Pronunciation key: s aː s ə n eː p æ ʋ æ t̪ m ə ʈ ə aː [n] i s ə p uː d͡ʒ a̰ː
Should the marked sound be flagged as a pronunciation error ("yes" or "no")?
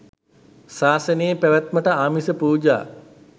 yes